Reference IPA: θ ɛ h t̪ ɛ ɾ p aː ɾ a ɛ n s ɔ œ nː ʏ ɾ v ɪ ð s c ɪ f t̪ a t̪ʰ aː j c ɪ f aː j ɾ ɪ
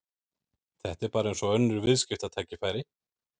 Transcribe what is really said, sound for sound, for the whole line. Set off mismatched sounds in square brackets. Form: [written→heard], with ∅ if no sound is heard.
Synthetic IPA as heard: θ ɛ h t̪ ɛ ɾ p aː ɾ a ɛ n s ɔ œ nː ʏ ɾ v ɪ ð s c ɪ f t̪ a t̪ʰ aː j c ɪ f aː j ɾ ɪ